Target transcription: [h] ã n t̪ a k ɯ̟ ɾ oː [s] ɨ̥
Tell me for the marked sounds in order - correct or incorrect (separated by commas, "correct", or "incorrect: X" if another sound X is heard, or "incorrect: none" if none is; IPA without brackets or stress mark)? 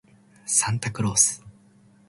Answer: incorrect: s, correct